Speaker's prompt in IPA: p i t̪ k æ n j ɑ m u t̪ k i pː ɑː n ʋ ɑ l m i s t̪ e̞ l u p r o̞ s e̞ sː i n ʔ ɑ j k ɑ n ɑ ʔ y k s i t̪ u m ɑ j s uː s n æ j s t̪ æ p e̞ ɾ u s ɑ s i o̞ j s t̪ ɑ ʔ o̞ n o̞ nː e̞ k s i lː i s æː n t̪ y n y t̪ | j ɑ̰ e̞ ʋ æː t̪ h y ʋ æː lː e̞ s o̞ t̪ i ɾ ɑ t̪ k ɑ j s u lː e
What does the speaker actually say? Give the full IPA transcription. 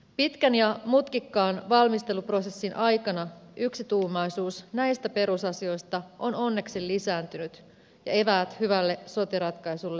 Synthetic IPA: p i t̪ k æ n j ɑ m u t̪ k i kː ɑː n ʋ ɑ l m i s t̪ e̞ l u p r o̞ s e̞ sː i n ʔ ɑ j k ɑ n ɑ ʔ y k s i t̪ uː m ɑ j s uː s n æ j s t̪ æ p e̞ ɾ u s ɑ s i o̞ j s t̪ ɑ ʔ o̞ n o̞ nː e̞ k s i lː i s æː n t̪ y n y t̪ | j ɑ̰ e̞ ʋ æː t̪ h y ʋ æ lː e̞ s o̞ t̪ i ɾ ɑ t̪ k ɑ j s u lː e